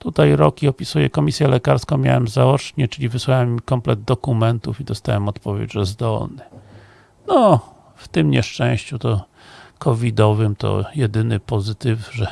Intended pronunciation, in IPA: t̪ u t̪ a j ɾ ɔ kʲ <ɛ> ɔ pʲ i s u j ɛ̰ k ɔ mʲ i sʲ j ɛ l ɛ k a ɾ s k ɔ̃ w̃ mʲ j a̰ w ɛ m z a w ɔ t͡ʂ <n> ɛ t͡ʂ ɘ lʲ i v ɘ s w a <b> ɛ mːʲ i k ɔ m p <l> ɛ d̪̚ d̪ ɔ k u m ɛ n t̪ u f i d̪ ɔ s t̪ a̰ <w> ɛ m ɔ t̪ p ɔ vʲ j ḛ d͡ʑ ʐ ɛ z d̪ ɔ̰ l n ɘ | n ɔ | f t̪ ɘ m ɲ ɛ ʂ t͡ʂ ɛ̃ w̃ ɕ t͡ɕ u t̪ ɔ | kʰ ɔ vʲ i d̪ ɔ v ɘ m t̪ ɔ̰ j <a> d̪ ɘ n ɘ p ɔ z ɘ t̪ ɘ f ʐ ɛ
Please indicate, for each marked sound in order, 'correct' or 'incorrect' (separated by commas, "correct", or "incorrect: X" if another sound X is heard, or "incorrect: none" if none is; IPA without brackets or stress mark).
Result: incorrect: i, incorrect: ɲ, incorrect: w, correct, correct, incorrect: ɛ